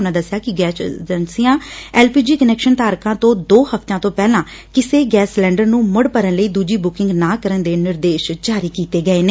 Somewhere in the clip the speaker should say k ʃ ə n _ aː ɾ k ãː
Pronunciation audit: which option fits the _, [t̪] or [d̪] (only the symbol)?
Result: t̪